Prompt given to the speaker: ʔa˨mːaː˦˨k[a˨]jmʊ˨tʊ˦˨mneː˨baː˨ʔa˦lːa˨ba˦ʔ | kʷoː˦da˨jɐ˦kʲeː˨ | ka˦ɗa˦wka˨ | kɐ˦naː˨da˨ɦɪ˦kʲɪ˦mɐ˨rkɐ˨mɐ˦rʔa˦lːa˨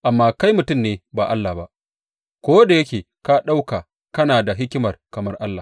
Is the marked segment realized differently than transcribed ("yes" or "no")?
yes